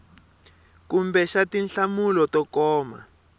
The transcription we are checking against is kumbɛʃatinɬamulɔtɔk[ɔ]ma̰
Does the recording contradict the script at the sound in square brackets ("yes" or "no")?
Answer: yes